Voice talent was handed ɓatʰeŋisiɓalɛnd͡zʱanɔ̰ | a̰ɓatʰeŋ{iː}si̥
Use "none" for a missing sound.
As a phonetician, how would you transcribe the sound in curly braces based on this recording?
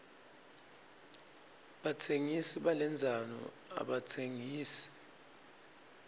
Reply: iː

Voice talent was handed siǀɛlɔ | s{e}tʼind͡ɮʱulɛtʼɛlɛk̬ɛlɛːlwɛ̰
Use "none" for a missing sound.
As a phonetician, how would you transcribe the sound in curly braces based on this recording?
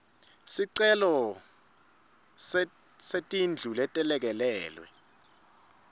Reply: e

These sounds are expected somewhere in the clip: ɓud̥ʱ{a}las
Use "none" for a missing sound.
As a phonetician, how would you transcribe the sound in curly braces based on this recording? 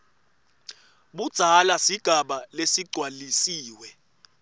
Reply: a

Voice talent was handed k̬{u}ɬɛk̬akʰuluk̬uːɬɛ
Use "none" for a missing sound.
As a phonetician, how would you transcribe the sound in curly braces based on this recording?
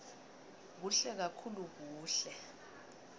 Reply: u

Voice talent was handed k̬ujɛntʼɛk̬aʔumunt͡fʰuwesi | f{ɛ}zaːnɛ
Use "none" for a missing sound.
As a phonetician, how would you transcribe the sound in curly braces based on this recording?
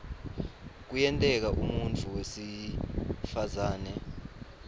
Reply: a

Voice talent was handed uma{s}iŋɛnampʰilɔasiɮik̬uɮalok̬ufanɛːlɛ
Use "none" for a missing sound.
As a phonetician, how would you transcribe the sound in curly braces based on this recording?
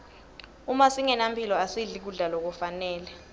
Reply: s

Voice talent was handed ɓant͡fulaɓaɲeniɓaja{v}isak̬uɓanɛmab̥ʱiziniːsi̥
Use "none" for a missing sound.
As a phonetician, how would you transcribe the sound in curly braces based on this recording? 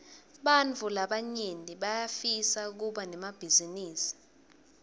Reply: f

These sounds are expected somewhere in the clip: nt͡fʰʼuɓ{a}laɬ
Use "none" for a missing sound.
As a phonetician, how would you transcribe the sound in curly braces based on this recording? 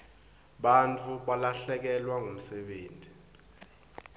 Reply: a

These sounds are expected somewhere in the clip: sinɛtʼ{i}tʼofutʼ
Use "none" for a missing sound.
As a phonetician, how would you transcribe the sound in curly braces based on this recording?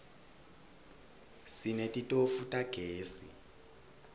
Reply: i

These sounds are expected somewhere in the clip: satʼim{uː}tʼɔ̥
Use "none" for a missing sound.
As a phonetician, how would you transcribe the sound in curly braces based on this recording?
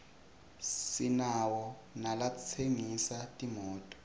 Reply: ɔː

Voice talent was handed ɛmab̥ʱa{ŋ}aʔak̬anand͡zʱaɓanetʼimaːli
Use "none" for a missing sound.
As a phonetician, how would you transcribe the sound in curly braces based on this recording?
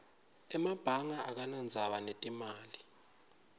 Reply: ŋ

